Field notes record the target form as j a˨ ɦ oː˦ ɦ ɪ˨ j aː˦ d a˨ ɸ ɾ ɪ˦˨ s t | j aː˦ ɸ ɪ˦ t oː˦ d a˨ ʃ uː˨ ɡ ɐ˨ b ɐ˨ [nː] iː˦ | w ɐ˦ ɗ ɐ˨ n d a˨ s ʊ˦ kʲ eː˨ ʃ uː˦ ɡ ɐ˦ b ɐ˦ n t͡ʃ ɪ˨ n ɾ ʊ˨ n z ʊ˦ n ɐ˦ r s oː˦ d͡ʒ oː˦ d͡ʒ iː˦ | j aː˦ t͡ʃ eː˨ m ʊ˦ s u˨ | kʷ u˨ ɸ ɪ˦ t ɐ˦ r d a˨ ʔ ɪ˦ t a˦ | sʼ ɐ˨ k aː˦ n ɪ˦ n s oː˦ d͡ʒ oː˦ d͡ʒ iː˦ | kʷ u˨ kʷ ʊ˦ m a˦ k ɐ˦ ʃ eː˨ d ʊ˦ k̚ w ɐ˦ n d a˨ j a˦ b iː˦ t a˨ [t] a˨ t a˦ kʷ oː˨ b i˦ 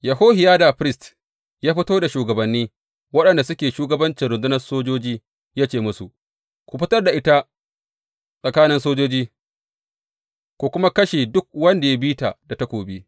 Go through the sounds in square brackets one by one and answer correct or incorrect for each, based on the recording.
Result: correct, incorrect: d

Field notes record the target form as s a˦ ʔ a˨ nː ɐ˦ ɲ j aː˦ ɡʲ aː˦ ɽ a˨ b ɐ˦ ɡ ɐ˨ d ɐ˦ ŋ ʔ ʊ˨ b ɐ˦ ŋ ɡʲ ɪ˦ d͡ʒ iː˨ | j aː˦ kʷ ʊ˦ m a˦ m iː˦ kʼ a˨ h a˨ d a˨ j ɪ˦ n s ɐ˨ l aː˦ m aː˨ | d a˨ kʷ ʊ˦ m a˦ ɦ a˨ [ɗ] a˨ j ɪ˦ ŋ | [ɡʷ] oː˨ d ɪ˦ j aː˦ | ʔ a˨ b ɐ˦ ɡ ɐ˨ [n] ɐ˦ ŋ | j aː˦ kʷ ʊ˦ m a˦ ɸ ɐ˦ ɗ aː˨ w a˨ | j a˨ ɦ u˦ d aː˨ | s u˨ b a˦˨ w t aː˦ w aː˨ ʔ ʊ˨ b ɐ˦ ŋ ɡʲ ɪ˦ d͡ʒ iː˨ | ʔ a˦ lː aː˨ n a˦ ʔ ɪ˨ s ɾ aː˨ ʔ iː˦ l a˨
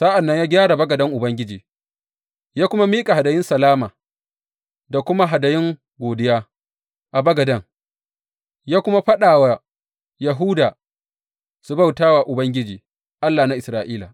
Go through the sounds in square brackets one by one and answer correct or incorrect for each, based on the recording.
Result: incorrect: d, correct, incorrect: d

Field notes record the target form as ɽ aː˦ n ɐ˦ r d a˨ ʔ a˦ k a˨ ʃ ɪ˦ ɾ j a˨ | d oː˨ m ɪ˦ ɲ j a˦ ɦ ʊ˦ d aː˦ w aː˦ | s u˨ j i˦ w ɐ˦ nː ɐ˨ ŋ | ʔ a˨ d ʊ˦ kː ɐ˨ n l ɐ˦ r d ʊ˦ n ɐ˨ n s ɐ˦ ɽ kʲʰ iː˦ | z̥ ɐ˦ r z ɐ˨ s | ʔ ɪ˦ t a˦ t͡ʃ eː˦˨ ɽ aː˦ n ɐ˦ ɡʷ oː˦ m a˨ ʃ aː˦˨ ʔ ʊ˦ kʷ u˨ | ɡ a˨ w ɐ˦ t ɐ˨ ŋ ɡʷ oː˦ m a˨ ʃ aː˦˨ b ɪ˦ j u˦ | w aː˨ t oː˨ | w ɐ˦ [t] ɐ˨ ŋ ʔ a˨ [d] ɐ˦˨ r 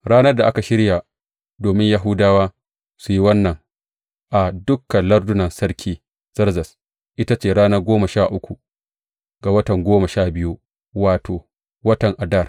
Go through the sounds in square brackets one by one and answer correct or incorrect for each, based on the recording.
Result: correct, correct

